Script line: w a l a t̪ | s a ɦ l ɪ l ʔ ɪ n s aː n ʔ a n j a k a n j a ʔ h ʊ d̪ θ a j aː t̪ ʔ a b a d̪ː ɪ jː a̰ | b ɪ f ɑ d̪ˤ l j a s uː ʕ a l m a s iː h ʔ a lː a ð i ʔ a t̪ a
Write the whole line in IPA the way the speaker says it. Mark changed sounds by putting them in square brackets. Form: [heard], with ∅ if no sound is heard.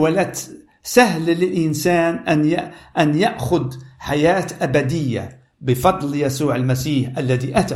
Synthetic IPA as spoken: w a l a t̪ | s a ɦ l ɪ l ʔ ɪ n s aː n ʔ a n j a [ʔ] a n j a ʔ [x] ʊ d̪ [ħ] a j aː t̪ ʔ a b a [d̪] ɪ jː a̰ | b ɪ f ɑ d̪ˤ l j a s uː ʕ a l m a s iː [ħ] ʔ a lː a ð i ʔ a t̪ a